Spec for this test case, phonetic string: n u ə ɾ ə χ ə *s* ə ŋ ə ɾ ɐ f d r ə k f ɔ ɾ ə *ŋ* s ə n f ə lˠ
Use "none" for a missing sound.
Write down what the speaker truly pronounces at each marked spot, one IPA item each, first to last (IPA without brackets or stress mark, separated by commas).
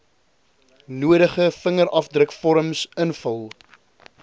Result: f, m